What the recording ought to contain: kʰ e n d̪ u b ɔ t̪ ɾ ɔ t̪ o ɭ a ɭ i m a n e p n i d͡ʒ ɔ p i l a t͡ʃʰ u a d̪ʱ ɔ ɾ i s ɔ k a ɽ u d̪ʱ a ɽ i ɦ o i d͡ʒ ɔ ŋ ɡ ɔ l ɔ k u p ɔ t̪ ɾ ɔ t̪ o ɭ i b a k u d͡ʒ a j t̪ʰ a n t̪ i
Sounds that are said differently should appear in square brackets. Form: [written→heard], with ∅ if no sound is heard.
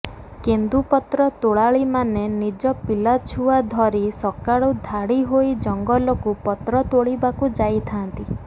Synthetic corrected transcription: [kʰ→k] e n d̪ u [b→p] ɔ t̪ ɾ ɔ t̪ o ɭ a ɭ i m a n e [p→∅] n i d͡ʒ ɔ p i l a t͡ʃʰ u a d̪ʱ ɔ ɾ i s ɔ k a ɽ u d̪ʱ a ɽ i ɦ o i d͡ʒ ɔ ŋ ɡ ɔ l ɔ k u p ɔ t̪ ɾ ɔ t̪ o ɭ i b a k u d͡ʒ a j t̪ʰ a n t̪ i